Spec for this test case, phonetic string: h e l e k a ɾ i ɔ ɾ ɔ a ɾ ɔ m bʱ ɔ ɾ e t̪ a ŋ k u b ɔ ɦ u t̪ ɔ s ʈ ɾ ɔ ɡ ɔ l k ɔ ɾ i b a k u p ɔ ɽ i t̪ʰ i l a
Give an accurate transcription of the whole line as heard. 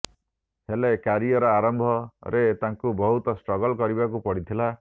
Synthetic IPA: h e l e k a ɾ i ɔ ɾ ɔ a ɾ ɔ m bʱ ɔ ɾ e t̪ a ŋ k u b ɔ ɦ u t̪ ɔ s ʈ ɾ ɔ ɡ ɔ l k ɔ ɾ i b a k u p ɔ ɽ i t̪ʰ i l a